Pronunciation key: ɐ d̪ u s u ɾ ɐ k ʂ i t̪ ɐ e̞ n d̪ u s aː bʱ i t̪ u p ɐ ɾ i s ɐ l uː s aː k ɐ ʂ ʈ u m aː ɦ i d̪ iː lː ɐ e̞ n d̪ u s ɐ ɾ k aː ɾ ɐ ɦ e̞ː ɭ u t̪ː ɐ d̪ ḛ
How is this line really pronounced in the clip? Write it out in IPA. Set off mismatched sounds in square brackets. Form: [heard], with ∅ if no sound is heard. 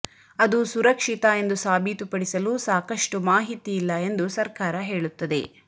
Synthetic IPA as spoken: ɐ d̪ u s u ɾ ɐ k ʂ i t̪ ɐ e̞ n d̪ u s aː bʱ i t̪ u p ɐ [ɽ] i s ɐ l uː s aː k ɐ ʂ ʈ u m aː ɦ i [t̪] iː lː ɐ e̞ n d̪ u s ɐ ɾ k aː ɾ ɐ ɦ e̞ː ɭ u t̪ː ɐ d̪ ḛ